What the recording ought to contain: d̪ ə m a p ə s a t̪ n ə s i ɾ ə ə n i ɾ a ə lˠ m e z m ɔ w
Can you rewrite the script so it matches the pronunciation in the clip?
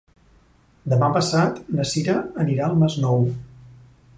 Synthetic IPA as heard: d̪ ə m a p ə s a t̪ n ə s i ɾ ə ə n i ɾ a ə lˠ m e z n ɔ w